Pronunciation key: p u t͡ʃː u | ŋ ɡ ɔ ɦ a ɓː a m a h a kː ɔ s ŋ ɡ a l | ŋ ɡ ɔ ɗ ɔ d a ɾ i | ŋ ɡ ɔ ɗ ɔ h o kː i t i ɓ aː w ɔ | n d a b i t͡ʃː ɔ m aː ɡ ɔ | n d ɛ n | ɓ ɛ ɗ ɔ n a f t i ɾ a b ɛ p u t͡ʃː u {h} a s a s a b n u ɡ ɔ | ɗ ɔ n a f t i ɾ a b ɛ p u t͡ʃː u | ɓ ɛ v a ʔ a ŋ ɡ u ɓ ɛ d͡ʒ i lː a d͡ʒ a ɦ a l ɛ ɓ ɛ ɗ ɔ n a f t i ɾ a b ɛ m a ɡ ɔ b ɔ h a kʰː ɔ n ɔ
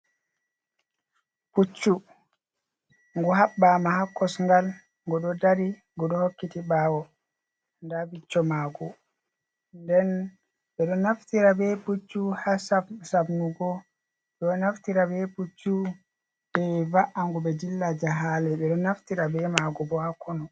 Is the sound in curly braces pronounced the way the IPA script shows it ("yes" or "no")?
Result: yes